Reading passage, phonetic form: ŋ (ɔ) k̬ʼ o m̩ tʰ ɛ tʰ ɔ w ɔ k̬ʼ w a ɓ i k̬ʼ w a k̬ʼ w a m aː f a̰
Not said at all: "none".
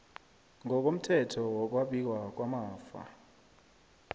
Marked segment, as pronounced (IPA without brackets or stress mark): ɔ